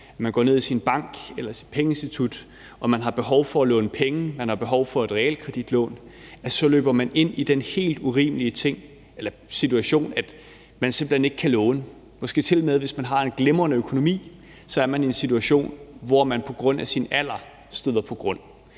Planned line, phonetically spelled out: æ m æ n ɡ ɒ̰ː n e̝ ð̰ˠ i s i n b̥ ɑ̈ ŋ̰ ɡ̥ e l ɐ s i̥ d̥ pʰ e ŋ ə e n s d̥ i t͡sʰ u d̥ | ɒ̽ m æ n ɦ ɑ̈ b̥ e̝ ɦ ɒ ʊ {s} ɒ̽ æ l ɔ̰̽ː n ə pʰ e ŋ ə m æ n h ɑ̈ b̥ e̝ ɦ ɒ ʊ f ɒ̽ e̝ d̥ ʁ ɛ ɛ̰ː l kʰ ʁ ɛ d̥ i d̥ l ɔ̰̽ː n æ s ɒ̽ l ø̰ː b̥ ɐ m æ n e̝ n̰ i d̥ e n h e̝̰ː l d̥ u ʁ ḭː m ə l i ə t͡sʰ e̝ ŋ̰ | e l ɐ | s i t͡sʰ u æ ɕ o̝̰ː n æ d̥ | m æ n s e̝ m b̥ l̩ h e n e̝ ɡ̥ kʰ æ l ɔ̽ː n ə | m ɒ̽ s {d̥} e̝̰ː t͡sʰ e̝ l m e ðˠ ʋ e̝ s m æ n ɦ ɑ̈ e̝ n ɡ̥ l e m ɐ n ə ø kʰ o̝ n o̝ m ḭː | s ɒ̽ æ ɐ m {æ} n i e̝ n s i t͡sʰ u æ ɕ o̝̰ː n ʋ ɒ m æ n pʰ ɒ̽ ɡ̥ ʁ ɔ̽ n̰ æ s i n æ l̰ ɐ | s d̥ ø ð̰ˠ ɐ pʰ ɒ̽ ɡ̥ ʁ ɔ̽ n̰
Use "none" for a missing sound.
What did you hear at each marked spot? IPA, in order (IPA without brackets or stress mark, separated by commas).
f, ɡ̥, æ